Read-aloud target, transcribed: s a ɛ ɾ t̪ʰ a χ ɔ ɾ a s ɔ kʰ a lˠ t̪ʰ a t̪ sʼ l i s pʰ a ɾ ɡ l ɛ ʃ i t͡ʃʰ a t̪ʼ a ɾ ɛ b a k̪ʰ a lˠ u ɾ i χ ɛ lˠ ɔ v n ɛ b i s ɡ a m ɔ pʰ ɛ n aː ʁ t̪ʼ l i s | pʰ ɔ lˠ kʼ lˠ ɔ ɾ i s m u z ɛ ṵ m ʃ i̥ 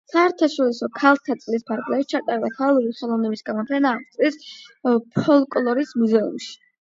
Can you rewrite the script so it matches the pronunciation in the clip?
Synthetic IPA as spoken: s a ɛ ɾ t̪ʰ a ʃ ɔ ɾ i s ɔ kʰ a lˠ t̪ʰ a t̪ sʼ l i s pʰ a ɾ ɡ l ɛ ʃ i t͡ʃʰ a t̪ʼ a ɾ ɛ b a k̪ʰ a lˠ u ɾ i χ ɛ lˠ ɔ v n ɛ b i s ɡ a m ɔ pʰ ɛ n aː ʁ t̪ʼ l i s | pʰ ɔ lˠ kʼ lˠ ɔ ɾ i s m u z ɛ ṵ m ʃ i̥

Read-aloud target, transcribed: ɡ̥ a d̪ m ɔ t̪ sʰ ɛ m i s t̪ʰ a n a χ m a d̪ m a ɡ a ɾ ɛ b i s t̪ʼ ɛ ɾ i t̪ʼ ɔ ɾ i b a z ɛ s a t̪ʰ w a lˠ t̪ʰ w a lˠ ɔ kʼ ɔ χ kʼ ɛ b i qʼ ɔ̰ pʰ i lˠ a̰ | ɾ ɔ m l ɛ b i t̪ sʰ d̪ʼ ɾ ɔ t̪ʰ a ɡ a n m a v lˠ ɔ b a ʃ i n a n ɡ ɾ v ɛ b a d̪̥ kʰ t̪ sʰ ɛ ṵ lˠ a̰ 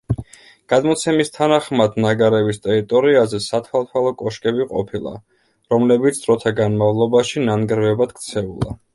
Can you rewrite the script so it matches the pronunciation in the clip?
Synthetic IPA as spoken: ɡ̥ a d̪ m ɔ t̪ sʰ ɛ m i s t̪ʰ a n a χ m a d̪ n a ɡ a ɾ ɛ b i s t̪ʼ ɛ ɾ i t̪ʼ ɔ ɾ i a z ɛ s a t̪ʰ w a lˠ t̪ʰ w a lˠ ɔ kʼ ɔ ʃ kʼ ɛ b i qʼ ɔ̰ pʰ i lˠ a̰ | ɾ ɔ m l ɛ b i t̪ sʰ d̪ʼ ɾ ɔ t̪ʰ a ɡ a n m a v lˠ ɔ b a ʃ i n a n ɡ ɾ v ɛ b a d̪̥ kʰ t̪ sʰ ɛ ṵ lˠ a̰

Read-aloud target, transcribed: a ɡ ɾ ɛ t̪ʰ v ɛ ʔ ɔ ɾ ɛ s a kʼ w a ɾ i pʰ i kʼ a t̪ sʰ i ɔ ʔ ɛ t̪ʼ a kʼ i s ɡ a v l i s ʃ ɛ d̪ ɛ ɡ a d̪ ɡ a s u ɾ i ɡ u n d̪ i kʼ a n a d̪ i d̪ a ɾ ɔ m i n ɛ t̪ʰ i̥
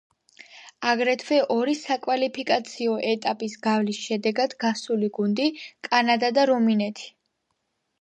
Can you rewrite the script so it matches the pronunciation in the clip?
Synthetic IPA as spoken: a ɡ ɾ ɛ t̪ʰ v ɛ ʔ ɔ ɾ i s a kʼ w a l i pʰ i kʼ a t̪ sʰ i ɔ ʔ ɛ t̪ʼ a pʼ i s ɡ a v l i s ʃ ɛ d̪ ɛ ɡ a d̪ ɡ a s u l i ɡ u n d̪ i kʼ a n a d̪ a d̪ a ɾ ɔ m i n ɛ t̪ʰ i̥

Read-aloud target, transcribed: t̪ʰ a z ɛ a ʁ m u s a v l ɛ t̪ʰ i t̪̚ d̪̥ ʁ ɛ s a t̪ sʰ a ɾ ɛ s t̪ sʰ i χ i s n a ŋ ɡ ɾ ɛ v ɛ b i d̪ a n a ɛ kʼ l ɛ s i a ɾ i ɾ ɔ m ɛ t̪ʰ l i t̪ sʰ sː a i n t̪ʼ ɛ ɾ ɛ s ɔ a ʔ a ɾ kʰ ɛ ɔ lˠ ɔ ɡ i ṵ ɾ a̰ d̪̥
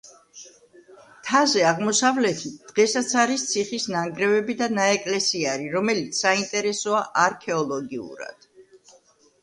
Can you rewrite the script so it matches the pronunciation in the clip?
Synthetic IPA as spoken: t̪ʰ a z ɛ a ʁ m ɔ s a v l ɛ t̪ʰ i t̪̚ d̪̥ ʁ ɛ s a t̪ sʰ a ɾ i s t̪ sʰ i χ i s n a ŋ ɡ ɾ ɛ v ɛ b i d̪ a n a ɛ kʼ l ɛ s i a ɾ i ɾ ɔ m ɛ l i t̪ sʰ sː a i n t̪ʼ ɛ ɾ ɛ s ɔ a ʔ a ɾ kʰ ɛ ɔ lˠ ɔ ɡ i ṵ ɾ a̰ d̪̥

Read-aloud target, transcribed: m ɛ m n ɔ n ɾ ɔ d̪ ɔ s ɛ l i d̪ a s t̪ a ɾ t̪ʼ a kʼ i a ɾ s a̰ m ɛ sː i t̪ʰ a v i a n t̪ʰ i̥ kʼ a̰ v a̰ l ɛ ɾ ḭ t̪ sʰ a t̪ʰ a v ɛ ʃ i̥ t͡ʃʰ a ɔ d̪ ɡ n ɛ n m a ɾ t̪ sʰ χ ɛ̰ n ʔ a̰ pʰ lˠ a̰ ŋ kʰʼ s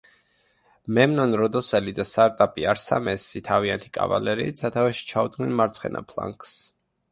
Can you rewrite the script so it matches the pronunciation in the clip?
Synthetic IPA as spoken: m ɛ m n ɔ n ɾ ɔ d̪ ɔ s ɛ l i d̪ a s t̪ a ɾ t̪ʼ a pʼ i a ɾ s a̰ m ɛ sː i t̪ʰ a v i a n t̪ʰ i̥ kʼ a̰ v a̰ l ɛ ɾ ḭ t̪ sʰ a t̪ʰ a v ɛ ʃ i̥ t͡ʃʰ a u d̪ ɡ n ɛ n m a ɾ t̪ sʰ χ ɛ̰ n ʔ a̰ pʰ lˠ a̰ ŋ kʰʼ s

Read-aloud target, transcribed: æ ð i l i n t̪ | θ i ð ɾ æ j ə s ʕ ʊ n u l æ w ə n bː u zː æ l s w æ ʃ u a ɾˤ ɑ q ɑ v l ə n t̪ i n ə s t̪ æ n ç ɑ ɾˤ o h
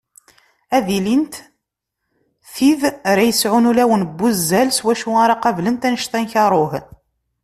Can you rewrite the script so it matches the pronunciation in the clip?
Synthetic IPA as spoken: æ ð i l i n t̪ | θ i ð ɾ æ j ə s ʕ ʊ n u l æ w ə n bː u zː æ l s w æ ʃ u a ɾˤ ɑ q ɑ v l ə n t̪ æ n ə ʃ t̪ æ n ç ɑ ɾˤ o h

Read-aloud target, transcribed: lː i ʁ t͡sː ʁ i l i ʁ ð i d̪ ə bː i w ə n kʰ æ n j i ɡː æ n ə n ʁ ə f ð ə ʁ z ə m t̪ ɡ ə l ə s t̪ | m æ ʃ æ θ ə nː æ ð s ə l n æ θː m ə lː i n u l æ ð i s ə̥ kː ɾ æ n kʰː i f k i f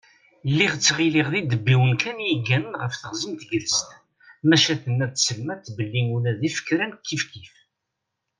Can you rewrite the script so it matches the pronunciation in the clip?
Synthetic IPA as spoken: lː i ʁ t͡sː ʁ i l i ʁ ð i d̪ ə bː i w ə n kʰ æ n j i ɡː æ n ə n ʁ ə f θ ə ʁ z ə m t̪ ɡ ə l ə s t̪ | m æ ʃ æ θ ə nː æ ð s ə l m æ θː b ə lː i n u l æ ð i f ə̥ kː ɾ æ n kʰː i f k i f

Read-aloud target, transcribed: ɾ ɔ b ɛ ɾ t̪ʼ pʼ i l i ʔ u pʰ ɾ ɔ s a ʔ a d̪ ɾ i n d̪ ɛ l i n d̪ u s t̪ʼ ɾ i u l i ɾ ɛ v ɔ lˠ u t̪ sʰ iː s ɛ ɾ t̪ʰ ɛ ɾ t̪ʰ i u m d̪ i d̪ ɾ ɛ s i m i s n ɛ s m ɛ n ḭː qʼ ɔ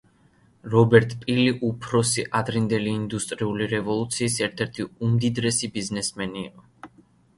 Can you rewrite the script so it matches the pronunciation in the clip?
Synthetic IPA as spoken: ɾ ɔ b ɛ ɾ t̪ʼ pʼ i l i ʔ u pʰ ɾ ɔ s i ʔ a d̪ ɾ i n d̪ ɛ l iː n d̪ u s t̪ʼ ɾ i u l i ɾ ɛ v ɔ lˠ u t̪ sʰ iː s ɛ ɾ t̪ʰ ɛ ɾ t̪ʰ i u m d̪ i d̪ ɾ ɛ s i b i z n ɛ s m ɛ n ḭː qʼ ɔ

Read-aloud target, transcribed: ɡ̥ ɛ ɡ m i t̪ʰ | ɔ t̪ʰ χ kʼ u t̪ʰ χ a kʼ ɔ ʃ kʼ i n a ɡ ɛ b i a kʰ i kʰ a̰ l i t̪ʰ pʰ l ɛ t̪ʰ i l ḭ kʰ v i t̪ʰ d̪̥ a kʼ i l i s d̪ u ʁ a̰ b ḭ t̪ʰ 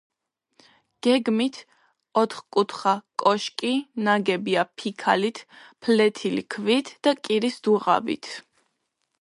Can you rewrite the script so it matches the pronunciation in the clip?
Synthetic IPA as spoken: ɡ̥ ɛ ɡ m i t̪ʰ | ɔ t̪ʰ χ kʼ u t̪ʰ χ a kʼ ɔ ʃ kʼ i n a ɡ ɛ b i a pʰ i kʰ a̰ l i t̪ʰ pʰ l ɛ t̪ʰ i l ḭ kʰ v i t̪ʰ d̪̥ a kʼ i ɾ i s d̪ u ʁ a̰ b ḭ t̪ʰ

